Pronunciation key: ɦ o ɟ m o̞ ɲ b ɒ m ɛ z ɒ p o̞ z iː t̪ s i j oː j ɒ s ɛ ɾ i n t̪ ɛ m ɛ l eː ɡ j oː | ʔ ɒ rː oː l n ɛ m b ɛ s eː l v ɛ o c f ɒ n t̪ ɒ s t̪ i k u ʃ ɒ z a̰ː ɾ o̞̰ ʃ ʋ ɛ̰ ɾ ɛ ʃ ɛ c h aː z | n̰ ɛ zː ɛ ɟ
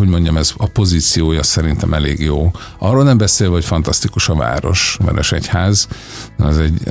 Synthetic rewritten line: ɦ o ɟ m o̞ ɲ ɟ ɒ m ɛ z ɒ p o̞ z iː t̪ s i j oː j ɒ s ɛ ɾ i n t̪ ɛ m ɛ l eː ɡ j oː | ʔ ɒ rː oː l n ɛ m b ɛ s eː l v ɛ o c f ɒ n t̪ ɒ s t̪ i k u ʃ ɒ v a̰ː ɾ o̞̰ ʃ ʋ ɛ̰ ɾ ɛ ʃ ɛ c h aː z | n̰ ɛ z ɛ ɟ